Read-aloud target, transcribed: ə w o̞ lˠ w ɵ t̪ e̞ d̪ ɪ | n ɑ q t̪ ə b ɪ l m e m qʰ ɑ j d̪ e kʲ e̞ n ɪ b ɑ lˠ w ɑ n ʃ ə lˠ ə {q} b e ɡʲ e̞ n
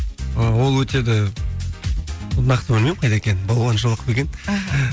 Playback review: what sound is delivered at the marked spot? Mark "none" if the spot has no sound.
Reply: q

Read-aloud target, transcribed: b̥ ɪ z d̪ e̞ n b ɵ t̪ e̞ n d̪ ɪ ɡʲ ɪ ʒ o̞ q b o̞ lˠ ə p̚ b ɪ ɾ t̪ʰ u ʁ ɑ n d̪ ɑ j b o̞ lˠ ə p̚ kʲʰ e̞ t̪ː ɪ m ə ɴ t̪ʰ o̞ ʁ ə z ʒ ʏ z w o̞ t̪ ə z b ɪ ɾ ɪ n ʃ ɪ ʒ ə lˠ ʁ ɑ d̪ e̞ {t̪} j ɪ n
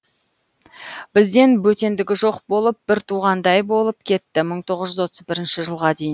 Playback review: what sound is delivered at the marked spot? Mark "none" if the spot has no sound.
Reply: none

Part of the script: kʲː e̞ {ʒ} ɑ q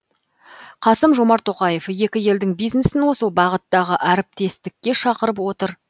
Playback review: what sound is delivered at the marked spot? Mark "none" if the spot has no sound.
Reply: ʃ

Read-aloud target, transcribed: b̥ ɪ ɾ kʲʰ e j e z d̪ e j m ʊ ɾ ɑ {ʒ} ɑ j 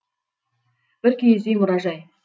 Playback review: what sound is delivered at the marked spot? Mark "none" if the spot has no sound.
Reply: ʒ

